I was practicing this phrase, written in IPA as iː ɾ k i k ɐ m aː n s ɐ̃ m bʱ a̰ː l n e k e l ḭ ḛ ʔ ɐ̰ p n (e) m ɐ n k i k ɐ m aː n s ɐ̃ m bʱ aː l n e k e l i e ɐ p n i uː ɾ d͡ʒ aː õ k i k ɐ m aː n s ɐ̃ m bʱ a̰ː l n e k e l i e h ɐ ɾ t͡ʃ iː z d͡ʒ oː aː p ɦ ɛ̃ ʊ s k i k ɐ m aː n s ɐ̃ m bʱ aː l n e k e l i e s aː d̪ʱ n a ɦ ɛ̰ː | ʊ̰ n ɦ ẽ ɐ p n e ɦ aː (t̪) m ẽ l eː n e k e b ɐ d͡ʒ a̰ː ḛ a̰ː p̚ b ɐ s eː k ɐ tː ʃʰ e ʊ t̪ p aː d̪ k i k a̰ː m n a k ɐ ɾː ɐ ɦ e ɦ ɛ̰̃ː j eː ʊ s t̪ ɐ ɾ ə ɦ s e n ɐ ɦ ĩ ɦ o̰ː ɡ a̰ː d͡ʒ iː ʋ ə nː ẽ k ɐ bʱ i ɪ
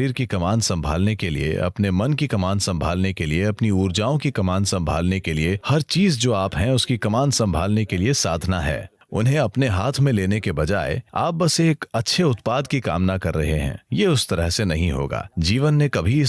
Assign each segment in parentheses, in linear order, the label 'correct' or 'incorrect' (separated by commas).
correct, incorrect